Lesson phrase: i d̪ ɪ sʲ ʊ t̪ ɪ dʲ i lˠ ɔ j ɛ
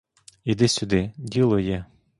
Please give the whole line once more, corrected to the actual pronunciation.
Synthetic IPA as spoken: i d̪ ɪ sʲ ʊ d̪ ɪ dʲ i lˠ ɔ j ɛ